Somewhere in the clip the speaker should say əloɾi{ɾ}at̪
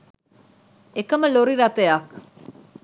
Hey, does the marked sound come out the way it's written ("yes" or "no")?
yes